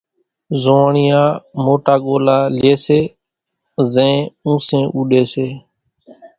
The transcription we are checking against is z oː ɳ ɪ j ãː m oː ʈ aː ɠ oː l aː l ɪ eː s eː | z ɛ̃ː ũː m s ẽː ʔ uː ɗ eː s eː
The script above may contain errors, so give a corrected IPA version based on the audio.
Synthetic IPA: z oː ɳ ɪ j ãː m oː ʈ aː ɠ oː l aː l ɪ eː s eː | z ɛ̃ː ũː s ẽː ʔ uː ɗ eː s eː